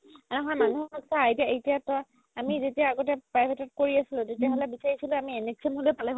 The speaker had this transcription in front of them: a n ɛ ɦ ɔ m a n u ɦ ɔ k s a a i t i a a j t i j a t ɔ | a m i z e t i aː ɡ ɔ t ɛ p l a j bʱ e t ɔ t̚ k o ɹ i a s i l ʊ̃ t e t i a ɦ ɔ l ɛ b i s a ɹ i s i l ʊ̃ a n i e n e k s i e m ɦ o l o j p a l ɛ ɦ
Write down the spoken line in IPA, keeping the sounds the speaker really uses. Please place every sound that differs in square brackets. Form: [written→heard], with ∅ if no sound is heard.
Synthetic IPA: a n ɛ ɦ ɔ m a n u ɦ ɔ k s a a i t i a [a→e] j t i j a t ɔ | a m i z e t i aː ɡ ɔ t ɛ p [l→ɹ] a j bʱ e t ɔ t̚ k o ɹ i a s i l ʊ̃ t e t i a ɦ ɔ l ɛ b i s a ɹ i s i l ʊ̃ a [n→m] i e n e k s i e m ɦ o l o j p a l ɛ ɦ